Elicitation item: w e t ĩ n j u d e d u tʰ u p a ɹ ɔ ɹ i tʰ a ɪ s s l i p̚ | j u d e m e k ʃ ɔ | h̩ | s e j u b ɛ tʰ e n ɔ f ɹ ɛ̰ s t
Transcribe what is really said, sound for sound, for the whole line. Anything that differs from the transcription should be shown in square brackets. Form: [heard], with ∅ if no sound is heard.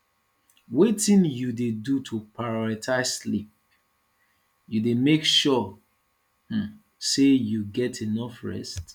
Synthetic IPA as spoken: w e t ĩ n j u d e d u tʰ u p a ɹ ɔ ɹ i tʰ a ɪ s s l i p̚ | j u d e m e k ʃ ɔ | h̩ | s e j u [ɡ] ɛ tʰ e n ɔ f ɹ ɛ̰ s t

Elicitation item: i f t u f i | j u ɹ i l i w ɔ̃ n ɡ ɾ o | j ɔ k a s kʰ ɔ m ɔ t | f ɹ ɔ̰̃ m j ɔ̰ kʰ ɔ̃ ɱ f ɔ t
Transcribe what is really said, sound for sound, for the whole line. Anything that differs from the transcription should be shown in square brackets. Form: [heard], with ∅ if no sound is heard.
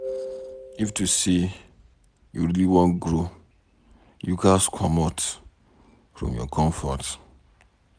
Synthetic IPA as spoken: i f t u [s] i | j u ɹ i l i w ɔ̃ n ɡ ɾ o | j [u] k a s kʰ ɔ m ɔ t | f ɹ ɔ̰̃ m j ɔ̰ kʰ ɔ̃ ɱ f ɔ t

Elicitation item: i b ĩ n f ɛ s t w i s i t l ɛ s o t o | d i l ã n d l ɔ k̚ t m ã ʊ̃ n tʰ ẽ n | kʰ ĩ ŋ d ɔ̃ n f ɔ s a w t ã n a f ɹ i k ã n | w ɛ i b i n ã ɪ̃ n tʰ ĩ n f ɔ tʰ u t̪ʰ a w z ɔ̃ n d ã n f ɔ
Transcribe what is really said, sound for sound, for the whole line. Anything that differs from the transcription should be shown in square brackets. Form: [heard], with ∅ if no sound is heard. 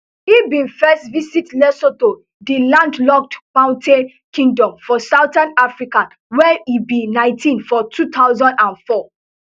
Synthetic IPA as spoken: i b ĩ n f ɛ s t [v] i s i t l ɛ s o t o | d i l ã n d l ɔ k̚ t m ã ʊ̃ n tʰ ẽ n | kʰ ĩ ŋ d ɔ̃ [m] f ɔ s a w t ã n a f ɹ i k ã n | w ɛ i b i n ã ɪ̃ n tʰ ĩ n f ɔ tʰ u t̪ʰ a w z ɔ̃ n d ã n f ɔ

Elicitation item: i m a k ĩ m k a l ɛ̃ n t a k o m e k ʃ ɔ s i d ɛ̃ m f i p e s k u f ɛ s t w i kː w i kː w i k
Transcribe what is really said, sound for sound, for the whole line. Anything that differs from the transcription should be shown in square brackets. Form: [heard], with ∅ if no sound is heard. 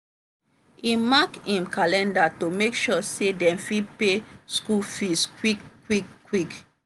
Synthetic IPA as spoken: i m a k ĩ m k a l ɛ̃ n [d] a [t] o m e k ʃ ɔ s [e] d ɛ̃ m f i p e s k u f [i] s [k] w i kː w i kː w i k

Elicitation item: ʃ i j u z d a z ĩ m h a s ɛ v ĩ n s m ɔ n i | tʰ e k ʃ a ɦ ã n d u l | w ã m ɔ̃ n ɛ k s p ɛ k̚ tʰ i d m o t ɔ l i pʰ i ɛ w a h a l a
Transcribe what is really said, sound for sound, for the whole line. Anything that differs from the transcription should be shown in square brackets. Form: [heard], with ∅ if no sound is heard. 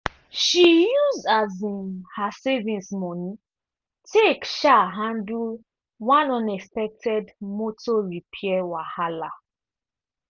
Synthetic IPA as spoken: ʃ i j u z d a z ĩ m h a s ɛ v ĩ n s m ɔ n i | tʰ e k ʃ a ɦ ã n d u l | w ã [n] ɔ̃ n ɛ k s p ɛ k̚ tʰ [ɛ] d m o t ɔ [ɹ] i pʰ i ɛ w a h a l a

